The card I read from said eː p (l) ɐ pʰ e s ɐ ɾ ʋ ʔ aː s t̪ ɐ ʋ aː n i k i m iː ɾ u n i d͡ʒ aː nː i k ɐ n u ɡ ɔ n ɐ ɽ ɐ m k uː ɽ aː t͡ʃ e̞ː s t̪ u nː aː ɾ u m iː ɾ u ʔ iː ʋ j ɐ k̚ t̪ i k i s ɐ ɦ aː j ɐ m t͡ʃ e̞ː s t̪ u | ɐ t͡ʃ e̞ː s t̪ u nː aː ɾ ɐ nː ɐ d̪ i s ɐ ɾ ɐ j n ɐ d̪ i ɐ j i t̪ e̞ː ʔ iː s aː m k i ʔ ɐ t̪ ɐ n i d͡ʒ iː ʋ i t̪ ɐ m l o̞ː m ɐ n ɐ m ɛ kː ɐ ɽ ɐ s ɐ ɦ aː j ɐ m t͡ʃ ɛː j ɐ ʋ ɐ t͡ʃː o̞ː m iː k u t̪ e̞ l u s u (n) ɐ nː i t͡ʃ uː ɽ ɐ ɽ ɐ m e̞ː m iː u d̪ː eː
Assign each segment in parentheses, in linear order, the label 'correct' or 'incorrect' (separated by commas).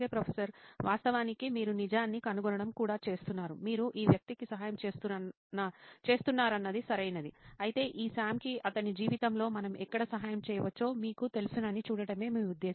incorrect, correct